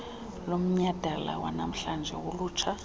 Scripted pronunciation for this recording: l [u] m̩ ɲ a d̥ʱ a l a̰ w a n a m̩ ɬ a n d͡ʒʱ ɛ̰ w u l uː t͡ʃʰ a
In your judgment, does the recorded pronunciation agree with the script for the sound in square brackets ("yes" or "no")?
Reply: no